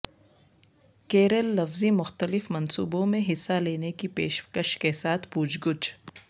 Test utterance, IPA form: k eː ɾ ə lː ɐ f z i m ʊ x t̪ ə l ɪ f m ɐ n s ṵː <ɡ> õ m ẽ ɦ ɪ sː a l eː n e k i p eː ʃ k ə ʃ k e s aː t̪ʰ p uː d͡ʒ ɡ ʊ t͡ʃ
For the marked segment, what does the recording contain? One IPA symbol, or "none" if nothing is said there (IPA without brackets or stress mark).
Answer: b